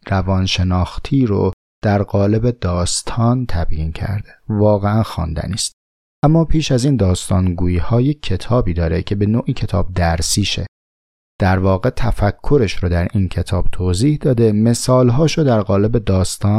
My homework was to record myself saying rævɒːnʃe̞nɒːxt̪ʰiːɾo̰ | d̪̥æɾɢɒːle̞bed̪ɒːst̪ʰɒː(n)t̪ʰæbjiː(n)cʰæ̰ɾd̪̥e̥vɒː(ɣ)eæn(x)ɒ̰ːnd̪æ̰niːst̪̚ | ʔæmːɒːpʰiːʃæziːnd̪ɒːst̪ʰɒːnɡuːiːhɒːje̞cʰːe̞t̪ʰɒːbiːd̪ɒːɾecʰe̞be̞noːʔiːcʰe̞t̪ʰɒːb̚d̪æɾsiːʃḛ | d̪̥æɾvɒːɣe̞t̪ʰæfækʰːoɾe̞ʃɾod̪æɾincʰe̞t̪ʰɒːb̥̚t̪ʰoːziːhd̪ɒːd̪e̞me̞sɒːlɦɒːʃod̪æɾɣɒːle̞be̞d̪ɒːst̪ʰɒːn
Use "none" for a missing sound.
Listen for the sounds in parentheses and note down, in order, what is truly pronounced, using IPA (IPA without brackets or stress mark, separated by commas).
n, n, ɣ, x